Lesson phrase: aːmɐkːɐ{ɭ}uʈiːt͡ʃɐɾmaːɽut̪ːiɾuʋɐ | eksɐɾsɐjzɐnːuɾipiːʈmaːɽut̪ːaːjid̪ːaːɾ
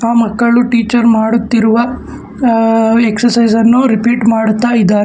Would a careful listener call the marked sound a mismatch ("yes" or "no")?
no